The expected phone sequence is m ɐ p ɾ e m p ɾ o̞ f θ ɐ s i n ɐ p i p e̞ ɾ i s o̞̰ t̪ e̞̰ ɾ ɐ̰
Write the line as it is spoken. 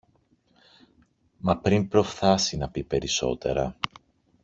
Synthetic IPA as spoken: m ɐ p ɾ i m p ɾ o̞ f θ ɐ s i n ɐ p i p e̞ ɾ i s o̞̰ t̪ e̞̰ ɾ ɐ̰